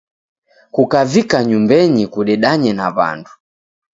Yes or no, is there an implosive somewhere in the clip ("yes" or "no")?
yes